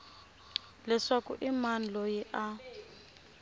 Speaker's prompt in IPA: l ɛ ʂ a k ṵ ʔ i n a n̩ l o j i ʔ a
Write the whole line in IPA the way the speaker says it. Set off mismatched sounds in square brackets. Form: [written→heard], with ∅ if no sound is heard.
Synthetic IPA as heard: l ɛ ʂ a k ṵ ʔ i [n→m] a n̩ l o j i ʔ a